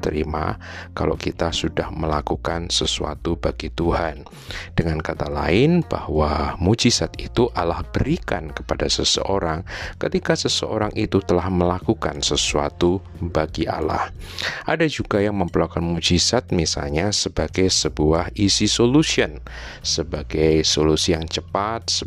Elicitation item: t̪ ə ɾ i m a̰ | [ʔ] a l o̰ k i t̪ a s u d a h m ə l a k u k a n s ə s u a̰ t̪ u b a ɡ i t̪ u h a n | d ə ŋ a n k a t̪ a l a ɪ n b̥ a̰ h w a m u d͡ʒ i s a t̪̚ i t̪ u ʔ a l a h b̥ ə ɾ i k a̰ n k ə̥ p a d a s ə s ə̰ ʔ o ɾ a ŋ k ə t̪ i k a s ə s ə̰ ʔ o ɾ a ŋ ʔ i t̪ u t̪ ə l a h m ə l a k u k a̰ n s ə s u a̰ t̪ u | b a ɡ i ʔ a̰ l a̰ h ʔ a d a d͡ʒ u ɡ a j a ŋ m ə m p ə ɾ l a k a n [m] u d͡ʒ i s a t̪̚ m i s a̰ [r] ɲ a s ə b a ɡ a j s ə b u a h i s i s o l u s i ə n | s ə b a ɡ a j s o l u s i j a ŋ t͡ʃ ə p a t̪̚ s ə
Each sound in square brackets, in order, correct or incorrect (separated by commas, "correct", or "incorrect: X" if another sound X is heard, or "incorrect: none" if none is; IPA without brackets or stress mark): incorrect: k, correct, incorrect: l